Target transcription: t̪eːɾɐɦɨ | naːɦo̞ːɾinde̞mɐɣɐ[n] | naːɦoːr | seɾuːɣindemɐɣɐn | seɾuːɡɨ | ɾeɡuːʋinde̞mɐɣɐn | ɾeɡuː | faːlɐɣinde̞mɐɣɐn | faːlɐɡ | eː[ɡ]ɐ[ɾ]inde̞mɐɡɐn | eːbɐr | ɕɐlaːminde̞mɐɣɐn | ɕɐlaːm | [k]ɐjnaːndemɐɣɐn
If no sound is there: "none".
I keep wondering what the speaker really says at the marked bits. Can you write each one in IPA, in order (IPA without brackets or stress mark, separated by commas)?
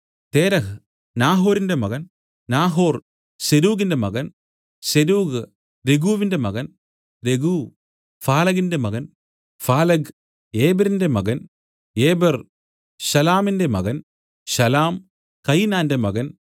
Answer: n, b, ɾ, k